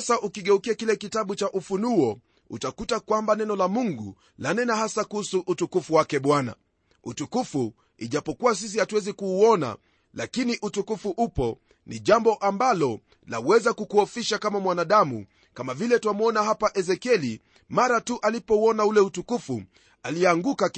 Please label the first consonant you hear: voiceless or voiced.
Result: voiceless